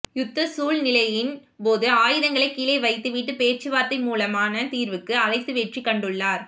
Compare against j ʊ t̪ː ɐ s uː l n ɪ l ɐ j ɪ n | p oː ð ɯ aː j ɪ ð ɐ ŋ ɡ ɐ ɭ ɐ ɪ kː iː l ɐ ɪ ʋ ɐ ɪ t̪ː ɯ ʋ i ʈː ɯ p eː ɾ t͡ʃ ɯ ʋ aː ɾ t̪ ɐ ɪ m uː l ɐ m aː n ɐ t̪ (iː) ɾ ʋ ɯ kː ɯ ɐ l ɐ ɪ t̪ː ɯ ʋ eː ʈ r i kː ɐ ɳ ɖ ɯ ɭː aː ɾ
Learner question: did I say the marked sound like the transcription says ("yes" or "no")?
yes